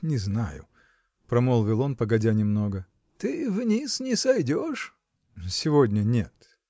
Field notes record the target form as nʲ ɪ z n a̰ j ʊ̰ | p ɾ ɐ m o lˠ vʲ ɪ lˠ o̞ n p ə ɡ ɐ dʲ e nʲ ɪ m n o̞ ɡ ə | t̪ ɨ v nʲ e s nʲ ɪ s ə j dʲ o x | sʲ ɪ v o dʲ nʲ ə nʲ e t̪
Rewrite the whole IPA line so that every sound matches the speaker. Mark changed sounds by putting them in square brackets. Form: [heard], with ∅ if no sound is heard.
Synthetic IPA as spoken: nʲ ɪ z n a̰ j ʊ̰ | p ɾ ɐ m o lˠ vʲ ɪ lˠ o̞ n p ə ɡ ɐ dʲ [a] nʲ ɪ m n o̞ ɡ ə | t̪ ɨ v nʲ [i] s nʲ ɪ s [ɐ] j dʲ o [ʂ] | sʲ ɪ v o dʲ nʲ ə nʲ e t̪